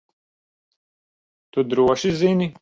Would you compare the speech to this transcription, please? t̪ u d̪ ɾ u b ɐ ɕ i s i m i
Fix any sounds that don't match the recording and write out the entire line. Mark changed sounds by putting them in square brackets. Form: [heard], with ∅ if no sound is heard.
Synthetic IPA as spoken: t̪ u d̪ ɾ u [w] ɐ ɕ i [z] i [n] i